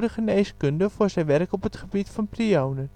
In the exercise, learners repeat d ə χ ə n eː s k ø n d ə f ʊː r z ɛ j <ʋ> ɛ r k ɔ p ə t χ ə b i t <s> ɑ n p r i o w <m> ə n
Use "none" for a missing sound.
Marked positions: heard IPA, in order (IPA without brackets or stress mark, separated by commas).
ʋ, f, n